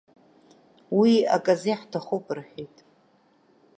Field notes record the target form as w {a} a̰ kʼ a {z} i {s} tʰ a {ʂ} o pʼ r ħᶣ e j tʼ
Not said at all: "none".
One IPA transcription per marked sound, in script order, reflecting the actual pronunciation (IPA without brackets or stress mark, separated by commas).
i, z, ħ, χ